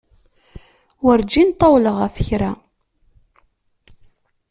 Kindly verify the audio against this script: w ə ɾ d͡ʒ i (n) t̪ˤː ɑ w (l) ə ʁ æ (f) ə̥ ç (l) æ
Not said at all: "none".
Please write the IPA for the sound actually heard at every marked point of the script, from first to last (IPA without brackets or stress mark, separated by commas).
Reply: n, l, f, ɾ